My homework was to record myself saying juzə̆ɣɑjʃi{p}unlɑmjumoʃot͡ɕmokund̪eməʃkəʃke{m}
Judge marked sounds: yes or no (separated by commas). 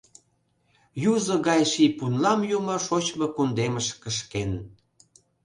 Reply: yes, no